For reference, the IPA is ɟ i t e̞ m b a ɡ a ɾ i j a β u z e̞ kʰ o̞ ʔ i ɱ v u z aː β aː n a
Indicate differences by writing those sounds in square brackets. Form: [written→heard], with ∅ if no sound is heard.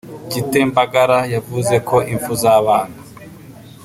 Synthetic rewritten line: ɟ i t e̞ m b a ɡ a ɾ [i→a] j a [β→v] u z e̞ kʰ o̞ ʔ i ɱ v u z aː β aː n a